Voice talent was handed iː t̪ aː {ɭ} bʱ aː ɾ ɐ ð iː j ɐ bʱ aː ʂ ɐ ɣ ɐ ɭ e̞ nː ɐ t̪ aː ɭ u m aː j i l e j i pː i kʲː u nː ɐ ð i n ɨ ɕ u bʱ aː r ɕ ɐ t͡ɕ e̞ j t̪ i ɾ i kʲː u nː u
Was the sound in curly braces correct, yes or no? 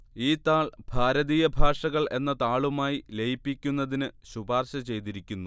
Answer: yes